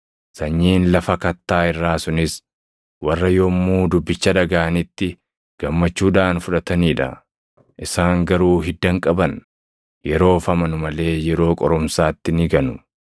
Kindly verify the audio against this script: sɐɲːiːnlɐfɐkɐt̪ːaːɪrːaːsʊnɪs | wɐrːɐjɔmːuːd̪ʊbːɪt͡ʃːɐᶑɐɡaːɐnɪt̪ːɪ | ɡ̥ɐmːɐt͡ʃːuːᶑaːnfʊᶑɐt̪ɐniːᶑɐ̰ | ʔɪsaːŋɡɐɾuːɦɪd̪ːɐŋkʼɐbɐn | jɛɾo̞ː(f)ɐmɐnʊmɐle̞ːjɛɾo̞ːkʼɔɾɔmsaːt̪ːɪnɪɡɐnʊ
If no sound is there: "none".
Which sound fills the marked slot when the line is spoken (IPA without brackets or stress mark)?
f